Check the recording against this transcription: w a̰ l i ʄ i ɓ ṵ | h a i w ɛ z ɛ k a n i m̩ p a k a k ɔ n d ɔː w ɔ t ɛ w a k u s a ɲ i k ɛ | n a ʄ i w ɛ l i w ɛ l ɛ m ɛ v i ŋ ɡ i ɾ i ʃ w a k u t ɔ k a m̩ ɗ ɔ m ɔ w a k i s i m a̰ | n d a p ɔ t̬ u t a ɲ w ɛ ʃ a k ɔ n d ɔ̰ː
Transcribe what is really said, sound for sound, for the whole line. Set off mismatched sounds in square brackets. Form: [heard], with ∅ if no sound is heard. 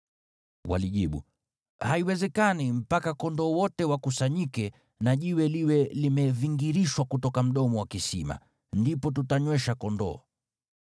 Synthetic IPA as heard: w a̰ l i ʄ i ɓ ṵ | h a i w ɛ z ɛ k a n i m̩ p a k a k ɔ n d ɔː w ɔ t ɛ w a k u s a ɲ i k ɛ | n a ʄ i w ɛ l i w ɛ l [i] m ɛ v i ŋ ɡ i ɾ i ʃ w a k u t ɔ k a m̩ ɗ ɔ m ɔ w a k i s i m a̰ | n d [i] p ɔ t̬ u t a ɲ w ɛ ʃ a k ɔ n d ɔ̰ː